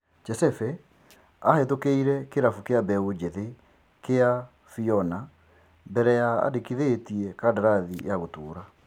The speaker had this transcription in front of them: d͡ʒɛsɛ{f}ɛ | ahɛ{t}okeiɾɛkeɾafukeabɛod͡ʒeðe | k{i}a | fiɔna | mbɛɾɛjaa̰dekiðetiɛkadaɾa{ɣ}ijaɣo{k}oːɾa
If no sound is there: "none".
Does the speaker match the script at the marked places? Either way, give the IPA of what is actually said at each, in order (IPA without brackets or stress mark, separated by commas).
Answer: f, t, e, ð, t